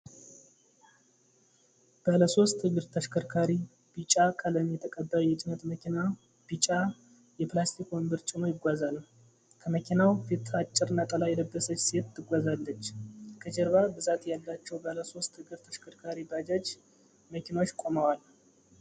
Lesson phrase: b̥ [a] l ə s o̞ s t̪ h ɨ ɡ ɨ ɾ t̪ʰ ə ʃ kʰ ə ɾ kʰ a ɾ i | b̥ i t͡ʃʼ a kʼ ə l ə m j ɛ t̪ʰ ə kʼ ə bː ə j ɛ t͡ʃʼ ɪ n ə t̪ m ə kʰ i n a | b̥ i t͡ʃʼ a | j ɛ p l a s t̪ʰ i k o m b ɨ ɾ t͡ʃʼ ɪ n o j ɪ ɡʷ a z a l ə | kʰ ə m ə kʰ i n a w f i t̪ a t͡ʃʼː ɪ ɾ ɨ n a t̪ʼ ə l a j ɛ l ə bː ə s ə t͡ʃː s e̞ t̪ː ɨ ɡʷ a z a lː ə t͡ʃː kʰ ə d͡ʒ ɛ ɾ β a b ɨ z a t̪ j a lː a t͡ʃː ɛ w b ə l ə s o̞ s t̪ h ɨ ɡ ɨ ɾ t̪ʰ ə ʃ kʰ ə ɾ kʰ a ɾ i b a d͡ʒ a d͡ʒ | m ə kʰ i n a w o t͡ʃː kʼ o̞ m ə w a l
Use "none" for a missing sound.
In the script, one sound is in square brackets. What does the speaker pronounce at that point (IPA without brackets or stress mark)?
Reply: ə